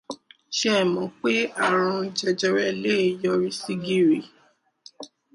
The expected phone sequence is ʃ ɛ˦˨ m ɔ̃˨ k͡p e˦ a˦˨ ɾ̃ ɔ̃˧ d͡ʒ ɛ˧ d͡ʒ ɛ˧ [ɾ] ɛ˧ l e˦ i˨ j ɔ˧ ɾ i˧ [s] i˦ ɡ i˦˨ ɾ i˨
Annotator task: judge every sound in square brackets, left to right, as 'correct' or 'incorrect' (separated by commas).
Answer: correct, correct